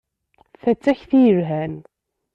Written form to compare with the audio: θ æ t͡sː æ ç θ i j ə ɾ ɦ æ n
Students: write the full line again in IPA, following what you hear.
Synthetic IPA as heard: θ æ t͡sː æ ç θ i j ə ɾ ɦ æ n